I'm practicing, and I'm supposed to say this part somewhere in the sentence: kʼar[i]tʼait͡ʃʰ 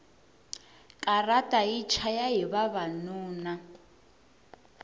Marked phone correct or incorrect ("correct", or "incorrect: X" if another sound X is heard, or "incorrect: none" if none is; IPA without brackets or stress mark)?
incorrect: a